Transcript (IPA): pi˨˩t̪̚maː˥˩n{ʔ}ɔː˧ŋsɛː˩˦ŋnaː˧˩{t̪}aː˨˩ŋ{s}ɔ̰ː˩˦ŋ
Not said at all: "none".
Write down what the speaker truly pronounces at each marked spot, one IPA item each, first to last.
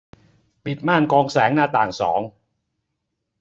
k, t̪, s

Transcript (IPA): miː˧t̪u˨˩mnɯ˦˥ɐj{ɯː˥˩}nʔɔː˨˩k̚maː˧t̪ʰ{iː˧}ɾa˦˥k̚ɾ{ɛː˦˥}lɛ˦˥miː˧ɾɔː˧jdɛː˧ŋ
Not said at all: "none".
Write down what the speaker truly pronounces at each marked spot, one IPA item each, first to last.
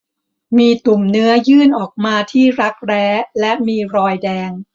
ɯː˥˩, iː˥˩, ɛː˦˥

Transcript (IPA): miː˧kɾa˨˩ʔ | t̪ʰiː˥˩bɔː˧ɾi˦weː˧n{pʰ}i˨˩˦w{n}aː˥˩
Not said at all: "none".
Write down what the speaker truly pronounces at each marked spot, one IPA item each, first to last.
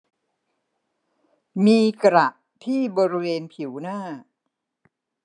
pʰ, n

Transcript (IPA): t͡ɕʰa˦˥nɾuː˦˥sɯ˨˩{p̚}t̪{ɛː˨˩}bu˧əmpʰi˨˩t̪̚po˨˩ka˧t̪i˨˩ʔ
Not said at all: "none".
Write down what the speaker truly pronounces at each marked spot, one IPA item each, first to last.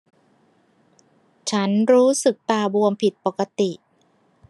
k̚, aː˨˩

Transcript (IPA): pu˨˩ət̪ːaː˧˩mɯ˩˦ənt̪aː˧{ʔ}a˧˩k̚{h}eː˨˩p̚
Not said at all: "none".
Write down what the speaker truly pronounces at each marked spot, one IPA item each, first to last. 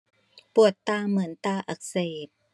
ʔ, s

